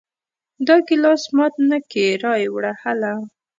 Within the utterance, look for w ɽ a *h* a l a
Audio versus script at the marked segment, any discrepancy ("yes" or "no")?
no